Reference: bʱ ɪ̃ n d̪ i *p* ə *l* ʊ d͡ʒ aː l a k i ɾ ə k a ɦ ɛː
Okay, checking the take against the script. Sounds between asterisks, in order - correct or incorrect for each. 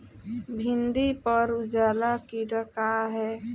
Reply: correct, incorrect: ɾ

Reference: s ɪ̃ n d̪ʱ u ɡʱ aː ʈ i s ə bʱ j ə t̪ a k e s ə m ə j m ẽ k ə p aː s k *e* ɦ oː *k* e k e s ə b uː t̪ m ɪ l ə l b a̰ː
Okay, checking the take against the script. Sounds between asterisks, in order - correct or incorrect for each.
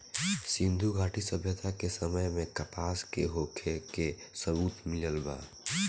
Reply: correct, incorrect: kʰ

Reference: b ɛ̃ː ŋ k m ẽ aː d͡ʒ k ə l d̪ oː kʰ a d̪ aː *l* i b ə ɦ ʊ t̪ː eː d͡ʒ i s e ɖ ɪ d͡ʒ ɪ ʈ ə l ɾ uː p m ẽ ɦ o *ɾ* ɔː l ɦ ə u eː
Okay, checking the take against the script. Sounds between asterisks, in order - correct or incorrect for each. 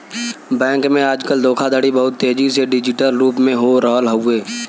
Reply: incorrect: ɽ, correct

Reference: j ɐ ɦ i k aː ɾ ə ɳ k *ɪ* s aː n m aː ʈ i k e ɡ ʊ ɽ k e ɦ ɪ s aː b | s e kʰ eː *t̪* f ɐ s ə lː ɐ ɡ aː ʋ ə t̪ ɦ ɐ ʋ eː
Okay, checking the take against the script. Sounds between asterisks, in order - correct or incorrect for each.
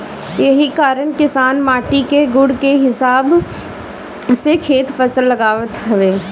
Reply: correct, correct

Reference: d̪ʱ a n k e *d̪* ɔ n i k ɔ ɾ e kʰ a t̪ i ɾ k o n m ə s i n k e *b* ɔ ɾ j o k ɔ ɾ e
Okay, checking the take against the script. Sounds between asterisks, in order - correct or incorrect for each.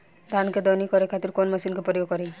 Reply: correct, incorrect: p

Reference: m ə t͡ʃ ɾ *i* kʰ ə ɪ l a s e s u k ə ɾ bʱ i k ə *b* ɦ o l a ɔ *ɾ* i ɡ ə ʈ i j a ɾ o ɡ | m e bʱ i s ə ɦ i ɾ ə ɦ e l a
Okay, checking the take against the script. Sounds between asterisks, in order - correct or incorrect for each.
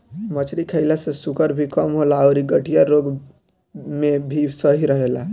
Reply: correct, incorrect: m, correct

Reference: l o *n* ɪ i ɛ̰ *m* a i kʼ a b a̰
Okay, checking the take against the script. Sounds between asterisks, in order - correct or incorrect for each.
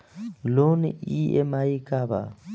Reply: correct, correct

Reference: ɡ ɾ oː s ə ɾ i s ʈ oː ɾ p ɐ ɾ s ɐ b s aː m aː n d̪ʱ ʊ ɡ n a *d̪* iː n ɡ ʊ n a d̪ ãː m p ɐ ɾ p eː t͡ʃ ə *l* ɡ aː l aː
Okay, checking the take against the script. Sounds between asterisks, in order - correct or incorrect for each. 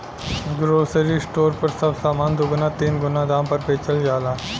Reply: incorrect: t̪, correct

